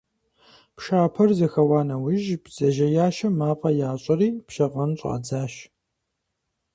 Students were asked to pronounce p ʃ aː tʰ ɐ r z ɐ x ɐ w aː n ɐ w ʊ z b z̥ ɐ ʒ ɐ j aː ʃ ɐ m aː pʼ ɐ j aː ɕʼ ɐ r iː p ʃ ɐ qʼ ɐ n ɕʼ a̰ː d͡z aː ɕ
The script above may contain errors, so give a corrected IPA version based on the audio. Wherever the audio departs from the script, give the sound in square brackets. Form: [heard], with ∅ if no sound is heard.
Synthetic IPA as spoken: p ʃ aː [pʰ] ɐ r z ɐ x ɐ w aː n ɐ w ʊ [ʒ] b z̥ ɐ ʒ ɐ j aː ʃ ɐ m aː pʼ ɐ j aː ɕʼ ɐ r iː p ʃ ɐ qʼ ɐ n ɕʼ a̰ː d͡z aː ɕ